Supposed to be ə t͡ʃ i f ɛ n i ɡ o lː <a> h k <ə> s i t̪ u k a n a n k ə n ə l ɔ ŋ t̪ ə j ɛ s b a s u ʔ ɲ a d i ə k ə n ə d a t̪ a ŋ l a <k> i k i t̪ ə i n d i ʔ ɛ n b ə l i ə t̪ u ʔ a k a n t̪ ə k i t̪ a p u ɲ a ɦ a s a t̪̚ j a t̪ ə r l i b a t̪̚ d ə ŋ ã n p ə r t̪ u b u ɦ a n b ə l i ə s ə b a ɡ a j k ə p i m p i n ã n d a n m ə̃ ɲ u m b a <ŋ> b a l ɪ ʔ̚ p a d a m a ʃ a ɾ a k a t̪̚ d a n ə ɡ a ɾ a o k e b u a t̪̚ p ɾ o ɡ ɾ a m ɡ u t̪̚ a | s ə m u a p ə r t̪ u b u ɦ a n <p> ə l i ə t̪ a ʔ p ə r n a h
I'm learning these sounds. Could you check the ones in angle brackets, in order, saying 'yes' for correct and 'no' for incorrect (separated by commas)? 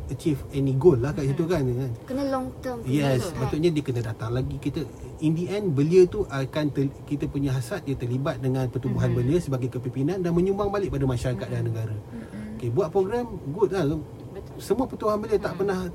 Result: yes, no, no, yes, no